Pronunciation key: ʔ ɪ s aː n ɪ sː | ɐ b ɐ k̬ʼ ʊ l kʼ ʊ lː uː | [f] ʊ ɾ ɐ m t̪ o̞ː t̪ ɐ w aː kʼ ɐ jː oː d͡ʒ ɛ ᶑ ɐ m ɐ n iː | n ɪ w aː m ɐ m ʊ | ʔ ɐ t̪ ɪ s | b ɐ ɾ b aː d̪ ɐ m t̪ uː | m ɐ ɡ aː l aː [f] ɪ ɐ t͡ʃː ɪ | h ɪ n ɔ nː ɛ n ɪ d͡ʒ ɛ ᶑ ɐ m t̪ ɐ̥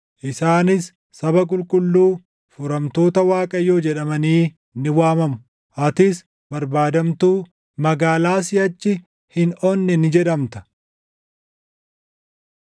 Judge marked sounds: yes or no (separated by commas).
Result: yes, no